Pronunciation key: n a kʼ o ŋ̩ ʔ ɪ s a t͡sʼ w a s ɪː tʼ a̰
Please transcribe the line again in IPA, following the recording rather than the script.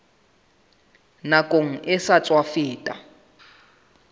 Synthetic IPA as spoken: n a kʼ o ŋ̩ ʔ ɪ s a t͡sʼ w a f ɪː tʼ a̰